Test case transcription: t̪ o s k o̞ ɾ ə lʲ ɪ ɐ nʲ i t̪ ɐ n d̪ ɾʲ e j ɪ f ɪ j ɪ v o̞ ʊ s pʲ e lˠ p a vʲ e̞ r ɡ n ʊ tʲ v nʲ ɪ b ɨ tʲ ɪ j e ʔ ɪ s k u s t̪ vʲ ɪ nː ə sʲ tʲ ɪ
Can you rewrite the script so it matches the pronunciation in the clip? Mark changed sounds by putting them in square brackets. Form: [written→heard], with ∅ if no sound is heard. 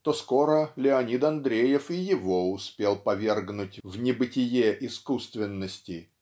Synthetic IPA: t̪ o s k o̞ ɾ ə lʲ ɪ ɐ nʲ i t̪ ɐ n d̪ ɾʲ e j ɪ f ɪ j ɪ v o̞ ʊ s pʲ e lˠ p [a→ɐ] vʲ e̞ r ɡ n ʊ tʲ v nʲ ɪ b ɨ tʲ ɪ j e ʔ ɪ s k u s t̪ vʲ ɪ nː ə sʲ tʲ ɪ